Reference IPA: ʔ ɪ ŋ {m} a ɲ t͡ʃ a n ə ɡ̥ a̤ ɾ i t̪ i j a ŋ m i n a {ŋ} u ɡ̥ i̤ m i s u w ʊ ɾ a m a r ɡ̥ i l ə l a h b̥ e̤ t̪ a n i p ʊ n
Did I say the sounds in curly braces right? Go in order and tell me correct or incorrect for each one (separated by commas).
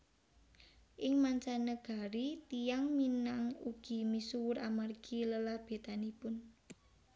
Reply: correct, correct